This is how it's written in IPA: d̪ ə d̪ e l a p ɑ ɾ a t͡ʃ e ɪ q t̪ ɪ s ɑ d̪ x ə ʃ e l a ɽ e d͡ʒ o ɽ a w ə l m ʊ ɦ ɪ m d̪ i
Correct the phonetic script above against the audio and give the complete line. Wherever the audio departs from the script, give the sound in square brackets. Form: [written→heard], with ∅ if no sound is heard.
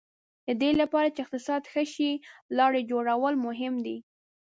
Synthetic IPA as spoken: d̪ ə d̪ e l a p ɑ ɾ a t͡ʃ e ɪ q t̪ ɪ s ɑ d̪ x ə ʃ [e→i] l [a→ɑ] ɽ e d͡ʒ o ɽ a w ə l m ʊ ɦ ɪ m d̪ i